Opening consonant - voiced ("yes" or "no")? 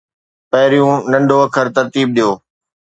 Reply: no